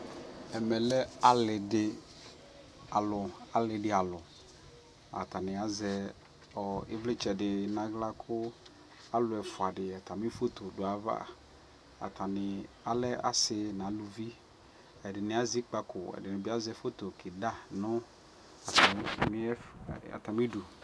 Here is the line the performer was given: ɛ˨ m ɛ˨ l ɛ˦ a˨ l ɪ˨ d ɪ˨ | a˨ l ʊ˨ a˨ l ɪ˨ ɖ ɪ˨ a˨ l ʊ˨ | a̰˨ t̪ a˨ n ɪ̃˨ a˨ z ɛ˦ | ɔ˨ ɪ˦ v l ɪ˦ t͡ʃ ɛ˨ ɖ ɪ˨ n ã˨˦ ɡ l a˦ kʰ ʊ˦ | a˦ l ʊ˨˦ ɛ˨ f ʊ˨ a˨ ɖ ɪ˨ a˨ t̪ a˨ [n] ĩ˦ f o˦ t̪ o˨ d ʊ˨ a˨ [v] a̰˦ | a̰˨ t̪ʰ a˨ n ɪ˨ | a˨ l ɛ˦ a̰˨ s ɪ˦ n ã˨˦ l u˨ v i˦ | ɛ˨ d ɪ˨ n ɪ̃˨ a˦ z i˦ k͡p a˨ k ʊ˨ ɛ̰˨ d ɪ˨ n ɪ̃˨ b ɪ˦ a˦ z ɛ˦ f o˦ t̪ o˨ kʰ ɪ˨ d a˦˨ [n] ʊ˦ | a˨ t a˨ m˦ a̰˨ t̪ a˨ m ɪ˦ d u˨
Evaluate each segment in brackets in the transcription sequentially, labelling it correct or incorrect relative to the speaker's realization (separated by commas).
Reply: incorrect, correct, correct